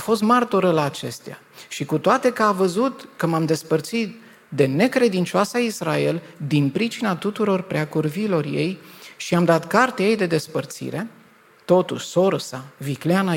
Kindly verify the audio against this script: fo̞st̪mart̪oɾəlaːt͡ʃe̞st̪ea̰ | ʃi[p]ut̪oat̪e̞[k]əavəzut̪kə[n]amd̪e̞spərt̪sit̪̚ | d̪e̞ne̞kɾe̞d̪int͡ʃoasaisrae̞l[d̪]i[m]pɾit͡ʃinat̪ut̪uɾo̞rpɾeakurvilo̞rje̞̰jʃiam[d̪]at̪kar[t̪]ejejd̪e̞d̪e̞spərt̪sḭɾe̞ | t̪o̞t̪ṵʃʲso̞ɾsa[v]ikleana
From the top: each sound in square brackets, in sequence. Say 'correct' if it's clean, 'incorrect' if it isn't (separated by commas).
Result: incorrect, correct, incorrect, correct, incorrect, correct, correct, correct